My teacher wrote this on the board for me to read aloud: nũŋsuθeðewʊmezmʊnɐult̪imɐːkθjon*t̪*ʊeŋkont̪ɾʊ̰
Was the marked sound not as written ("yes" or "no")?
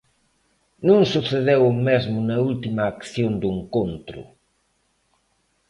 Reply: yes